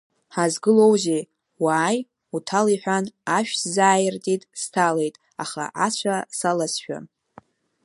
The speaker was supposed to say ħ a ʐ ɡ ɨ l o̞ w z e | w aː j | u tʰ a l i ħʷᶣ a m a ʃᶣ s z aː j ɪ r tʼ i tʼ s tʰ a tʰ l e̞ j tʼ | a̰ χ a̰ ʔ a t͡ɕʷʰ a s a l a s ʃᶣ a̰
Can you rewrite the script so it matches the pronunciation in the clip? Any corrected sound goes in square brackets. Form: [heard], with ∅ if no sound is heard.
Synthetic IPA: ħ a [z] ɡ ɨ l o̞ w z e | w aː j | u tʰ a l i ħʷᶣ a [n] a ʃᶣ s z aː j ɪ r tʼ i tʼ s tʰ a [∅] l e̞ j tʼ | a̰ χ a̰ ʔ a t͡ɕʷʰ a s a l a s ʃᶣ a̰

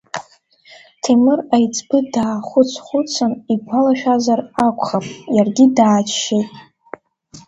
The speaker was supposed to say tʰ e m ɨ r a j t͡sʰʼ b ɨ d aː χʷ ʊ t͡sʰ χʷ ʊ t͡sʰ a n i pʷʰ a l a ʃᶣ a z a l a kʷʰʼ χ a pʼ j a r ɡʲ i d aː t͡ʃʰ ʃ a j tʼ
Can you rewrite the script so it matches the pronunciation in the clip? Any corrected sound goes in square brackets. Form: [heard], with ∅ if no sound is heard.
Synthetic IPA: tʰ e m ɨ r a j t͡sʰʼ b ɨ d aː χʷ ʊ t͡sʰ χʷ ʊ t͡sʰ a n i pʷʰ a l a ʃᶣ a z a [r] a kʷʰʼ χ a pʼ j a r ɡʲ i d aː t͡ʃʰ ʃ [e] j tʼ

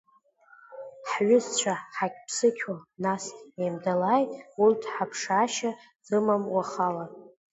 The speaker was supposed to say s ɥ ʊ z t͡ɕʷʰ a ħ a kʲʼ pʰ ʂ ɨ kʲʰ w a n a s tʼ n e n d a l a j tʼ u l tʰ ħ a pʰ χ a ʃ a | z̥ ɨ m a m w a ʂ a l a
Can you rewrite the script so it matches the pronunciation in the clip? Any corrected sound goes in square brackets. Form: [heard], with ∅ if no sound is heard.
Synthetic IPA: [ħ] ɥ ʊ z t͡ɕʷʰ a ħ a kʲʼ pʰ [s] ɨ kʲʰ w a n a s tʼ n e [m] d a l a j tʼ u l tʰ ħ a pʰ [ʂ] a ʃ a | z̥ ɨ m a m w a [χ] a l a

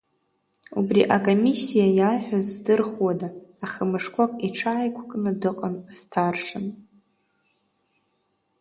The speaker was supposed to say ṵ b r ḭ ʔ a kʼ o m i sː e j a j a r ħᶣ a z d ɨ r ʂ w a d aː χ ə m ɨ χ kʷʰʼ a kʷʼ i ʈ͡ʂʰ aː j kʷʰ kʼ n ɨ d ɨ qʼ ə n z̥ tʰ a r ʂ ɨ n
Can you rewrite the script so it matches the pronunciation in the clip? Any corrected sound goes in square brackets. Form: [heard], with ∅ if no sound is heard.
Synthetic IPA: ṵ b r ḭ ʔ a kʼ o m i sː [i] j a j a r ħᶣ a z d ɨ r [χ] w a d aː χ ə m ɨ [ʂ] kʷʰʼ a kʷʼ i ʈ͡ʂʰ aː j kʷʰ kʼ n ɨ d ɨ qʼ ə n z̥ tʰ a r ʂ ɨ n

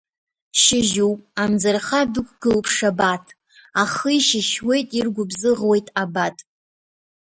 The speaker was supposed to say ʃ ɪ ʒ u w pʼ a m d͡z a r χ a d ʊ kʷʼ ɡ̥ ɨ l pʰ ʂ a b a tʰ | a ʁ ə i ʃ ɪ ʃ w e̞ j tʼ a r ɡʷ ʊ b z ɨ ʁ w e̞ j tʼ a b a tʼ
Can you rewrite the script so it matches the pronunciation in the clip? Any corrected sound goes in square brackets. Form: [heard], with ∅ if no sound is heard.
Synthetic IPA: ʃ ɪ ʒ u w pʼ a m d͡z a r χ a d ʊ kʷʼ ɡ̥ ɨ l pʰ ʂ a b a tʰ | a [χ] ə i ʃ ɪ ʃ w e̞ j tʼ [i] r ɡʷ ʊ b z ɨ ʁ w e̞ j tʼ a b a tʼ

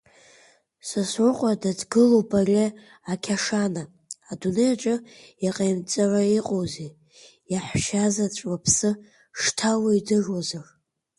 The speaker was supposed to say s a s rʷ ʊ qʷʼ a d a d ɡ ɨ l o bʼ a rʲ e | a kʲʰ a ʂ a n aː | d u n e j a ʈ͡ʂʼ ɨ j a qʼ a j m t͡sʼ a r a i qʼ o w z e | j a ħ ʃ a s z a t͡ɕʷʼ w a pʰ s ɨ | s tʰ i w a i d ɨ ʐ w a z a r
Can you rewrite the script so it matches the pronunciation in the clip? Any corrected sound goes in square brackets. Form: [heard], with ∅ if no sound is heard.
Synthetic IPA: s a s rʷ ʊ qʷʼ a d a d ɡ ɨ l o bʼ a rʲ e | a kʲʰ a ʂ a n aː | d u n e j a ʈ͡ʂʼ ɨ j a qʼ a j m t͡sʼ a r a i qʼ o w z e | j a ħ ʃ a [∅] z a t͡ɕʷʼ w a pʰ s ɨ | [ʂ] tʰ [a] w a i d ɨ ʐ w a z a r

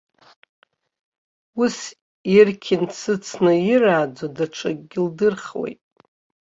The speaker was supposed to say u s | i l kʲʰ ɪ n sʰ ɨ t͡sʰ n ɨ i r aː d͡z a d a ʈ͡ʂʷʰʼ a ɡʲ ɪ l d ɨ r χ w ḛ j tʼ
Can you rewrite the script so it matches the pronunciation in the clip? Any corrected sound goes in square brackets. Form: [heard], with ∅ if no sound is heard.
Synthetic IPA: u s | i [r] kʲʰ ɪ n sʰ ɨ t͡sʰ n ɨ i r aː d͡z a d a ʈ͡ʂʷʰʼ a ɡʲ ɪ l d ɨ r χ w ḛ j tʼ

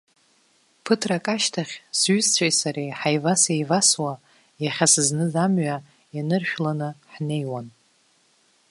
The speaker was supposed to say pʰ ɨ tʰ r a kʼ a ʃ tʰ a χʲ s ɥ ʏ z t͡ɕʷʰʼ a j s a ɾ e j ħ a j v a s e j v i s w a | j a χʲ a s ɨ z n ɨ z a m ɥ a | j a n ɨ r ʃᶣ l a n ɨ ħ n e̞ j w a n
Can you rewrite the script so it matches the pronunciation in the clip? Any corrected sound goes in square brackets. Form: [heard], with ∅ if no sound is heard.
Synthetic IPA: pʰ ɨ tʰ r a kʼ a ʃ tʰ a χʲ s ɥ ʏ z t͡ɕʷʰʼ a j s a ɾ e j ħ a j v a s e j v [a] s w a | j a χʲ a s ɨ z n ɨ z a m ɥ a | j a n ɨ r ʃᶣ l a n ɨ ħ n e̞ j w a n

